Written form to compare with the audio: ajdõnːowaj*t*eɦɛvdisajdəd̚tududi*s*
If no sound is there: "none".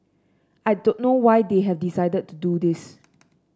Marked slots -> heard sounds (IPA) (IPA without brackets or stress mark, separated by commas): d, s